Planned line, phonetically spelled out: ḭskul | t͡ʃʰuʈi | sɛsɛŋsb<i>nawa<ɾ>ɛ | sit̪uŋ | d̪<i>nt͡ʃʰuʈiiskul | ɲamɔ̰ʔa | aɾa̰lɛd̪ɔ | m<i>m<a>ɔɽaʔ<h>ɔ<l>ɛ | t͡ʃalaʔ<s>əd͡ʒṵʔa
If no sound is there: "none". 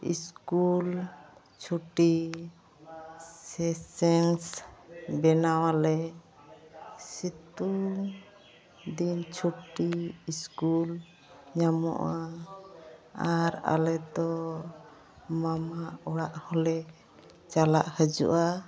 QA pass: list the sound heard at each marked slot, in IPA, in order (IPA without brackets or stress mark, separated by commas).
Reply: ɛ, l, i, a, a, h, l, h